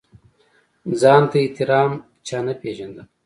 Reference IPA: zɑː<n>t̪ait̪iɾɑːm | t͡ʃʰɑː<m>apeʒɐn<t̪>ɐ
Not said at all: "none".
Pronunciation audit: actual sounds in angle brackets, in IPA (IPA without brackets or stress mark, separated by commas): n, n, d̪